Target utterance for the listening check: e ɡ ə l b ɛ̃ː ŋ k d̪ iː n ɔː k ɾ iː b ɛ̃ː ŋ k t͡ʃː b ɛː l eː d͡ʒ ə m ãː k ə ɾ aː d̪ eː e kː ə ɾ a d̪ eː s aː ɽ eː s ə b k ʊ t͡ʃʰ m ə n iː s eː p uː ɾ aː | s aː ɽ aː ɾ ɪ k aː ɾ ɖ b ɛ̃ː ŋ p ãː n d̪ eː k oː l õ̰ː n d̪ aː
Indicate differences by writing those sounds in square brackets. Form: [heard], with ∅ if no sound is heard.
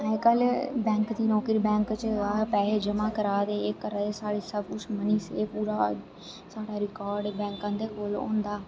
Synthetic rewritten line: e [k] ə l b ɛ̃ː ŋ k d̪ iː n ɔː k ɾ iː b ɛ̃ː ŋ k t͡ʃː [p] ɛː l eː d͡ʒ ə m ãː k ə ɾ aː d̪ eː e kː ə ɾ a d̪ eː s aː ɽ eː s ə b k ʊ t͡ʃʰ m ə n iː s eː p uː ɾ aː | s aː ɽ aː ɾ ɪ k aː ɾ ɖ b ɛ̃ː ŋ [k] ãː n d̪ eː k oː l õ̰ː n d̪ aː